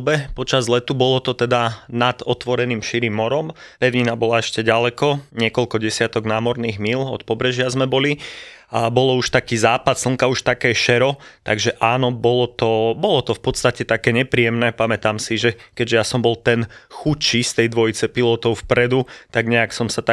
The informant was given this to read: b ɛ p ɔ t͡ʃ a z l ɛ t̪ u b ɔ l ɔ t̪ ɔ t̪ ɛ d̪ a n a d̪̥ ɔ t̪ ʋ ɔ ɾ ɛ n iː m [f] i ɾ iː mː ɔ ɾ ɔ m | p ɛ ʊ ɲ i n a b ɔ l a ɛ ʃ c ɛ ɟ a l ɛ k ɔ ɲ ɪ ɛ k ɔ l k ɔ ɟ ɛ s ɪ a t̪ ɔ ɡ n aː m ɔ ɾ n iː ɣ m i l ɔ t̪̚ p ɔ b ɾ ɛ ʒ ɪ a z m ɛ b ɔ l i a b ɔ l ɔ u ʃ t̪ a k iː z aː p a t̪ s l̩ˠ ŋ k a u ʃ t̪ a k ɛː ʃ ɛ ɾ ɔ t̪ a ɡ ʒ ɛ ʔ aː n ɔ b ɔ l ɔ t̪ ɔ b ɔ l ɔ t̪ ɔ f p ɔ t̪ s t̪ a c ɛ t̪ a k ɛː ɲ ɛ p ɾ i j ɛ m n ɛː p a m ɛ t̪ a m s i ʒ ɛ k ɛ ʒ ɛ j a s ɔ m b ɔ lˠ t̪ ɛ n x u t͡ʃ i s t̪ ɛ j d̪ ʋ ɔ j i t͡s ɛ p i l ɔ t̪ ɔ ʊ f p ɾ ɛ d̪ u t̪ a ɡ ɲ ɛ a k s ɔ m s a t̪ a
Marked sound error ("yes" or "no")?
yes